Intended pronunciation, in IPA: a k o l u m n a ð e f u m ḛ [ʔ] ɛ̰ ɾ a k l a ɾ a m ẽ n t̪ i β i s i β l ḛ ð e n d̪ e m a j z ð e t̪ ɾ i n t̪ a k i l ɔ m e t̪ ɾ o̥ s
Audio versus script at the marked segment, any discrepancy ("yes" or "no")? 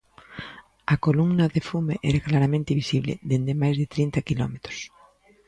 no